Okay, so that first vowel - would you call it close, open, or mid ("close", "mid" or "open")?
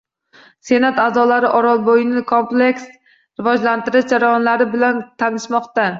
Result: mid